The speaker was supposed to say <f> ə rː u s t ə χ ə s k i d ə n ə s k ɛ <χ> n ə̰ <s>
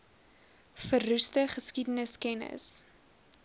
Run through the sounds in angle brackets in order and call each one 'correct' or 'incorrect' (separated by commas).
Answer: correct, incorrect, correct